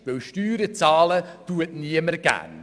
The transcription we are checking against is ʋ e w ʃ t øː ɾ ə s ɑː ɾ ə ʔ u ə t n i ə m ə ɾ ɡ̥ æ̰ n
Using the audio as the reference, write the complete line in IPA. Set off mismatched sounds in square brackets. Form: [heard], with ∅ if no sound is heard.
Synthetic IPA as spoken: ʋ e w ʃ t [yː] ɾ ə [t͡s] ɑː [l] ə [t] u ə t n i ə m ə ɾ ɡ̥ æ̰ n